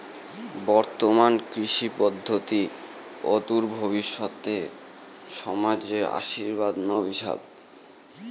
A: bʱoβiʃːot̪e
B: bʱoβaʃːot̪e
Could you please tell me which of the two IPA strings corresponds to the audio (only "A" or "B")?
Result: A